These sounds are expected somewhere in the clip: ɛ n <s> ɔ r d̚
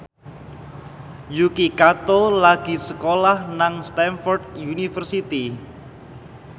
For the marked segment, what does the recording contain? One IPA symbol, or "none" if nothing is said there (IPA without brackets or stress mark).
f